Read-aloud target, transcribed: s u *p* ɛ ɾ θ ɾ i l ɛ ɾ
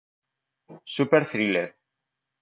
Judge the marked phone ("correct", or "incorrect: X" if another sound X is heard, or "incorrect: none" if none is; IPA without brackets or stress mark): correct